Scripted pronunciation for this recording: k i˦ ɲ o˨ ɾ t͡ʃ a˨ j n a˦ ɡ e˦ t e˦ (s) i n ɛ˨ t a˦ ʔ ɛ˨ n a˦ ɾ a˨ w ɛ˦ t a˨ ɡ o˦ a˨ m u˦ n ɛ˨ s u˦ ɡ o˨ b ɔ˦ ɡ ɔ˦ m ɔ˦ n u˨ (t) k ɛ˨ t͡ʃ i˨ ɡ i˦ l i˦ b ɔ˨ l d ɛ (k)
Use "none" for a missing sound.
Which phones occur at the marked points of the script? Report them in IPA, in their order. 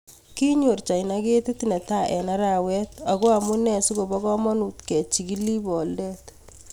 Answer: t, t, t

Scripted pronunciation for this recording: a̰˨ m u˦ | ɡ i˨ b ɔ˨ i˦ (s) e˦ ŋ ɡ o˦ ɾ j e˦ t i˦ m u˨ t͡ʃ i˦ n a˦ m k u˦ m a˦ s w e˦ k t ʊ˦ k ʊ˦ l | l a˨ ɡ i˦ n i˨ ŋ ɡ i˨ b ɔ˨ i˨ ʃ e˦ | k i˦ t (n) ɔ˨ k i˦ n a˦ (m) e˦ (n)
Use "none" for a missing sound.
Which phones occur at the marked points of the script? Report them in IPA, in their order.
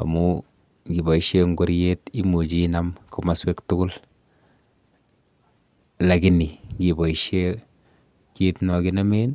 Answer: ʃ, n, m, n

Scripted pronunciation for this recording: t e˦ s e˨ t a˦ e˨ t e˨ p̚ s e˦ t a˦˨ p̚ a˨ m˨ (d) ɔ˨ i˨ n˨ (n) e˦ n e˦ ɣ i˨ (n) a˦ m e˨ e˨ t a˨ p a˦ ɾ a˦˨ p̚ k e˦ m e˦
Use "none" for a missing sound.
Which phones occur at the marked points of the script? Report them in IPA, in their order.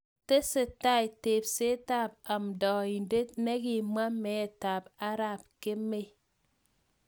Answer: d, d, m

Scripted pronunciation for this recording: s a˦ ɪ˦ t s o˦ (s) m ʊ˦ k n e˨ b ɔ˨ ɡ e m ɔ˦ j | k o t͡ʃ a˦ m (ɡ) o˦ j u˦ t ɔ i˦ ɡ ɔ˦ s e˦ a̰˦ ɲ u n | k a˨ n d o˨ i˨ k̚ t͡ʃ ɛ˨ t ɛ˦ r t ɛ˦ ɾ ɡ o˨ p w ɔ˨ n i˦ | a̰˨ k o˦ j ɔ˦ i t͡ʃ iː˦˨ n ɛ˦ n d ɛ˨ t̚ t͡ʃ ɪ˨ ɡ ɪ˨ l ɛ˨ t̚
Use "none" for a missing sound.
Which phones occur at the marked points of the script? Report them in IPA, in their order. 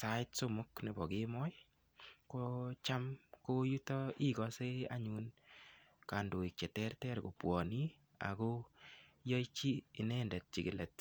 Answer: none, k

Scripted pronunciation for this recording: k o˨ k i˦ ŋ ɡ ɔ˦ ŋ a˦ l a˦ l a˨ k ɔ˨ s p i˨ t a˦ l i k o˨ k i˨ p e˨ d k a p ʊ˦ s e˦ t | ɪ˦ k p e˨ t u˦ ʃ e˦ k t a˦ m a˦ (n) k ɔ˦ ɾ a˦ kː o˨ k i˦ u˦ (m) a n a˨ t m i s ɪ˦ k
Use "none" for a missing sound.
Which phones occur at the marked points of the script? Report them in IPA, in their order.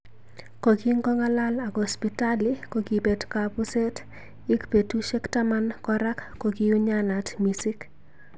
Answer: n, ɲ

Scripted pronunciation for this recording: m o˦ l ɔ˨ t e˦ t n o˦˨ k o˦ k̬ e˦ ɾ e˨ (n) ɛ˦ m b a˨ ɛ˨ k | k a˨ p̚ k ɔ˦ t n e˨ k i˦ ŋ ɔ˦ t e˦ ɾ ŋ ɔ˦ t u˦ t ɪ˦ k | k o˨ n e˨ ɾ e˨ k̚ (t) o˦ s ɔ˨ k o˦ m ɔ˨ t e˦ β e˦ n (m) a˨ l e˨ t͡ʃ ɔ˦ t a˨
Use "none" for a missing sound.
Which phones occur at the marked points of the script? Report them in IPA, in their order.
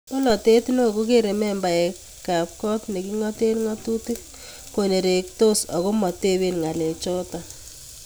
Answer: m, t, ŋ

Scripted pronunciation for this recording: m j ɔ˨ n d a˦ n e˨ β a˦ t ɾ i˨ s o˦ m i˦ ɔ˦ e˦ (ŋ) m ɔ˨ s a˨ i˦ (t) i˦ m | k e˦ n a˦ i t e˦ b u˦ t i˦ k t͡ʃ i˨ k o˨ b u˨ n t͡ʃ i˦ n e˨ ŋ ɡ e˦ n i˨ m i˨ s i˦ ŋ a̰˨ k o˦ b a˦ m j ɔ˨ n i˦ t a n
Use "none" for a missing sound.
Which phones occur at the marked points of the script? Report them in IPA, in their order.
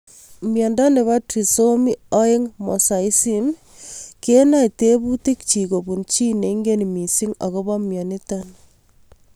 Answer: ŋ, s

